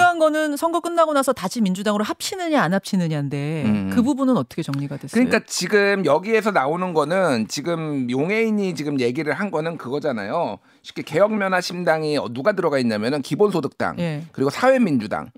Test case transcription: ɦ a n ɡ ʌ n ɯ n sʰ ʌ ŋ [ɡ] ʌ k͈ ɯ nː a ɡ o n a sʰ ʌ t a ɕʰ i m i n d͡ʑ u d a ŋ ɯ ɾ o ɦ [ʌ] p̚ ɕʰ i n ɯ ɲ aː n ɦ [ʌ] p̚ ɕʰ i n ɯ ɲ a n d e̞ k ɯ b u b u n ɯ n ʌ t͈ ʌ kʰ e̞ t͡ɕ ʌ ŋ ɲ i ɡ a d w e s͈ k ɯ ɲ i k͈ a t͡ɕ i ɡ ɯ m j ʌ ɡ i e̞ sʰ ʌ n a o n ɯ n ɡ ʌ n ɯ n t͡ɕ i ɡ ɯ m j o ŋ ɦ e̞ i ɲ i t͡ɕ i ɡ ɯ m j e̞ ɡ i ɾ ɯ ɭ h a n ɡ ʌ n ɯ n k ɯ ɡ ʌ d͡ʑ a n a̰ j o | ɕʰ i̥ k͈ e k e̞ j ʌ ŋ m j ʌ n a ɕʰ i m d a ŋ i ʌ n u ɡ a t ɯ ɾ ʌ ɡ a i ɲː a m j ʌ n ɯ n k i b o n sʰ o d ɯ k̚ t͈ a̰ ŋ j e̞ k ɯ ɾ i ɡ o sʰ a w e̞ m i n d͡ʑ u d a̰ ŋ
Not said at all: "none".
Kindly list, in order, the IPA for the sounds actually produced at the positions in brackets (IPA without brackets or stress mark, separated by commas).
ɡ, a, a